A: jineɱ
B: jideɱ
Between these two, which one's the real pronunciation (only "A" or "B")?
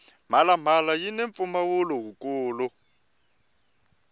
A